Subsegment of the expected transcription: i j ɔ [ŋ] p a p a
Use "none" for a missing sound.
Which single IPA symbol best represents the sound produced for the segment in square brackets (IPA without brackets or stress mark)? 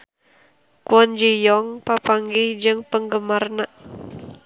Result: ŋ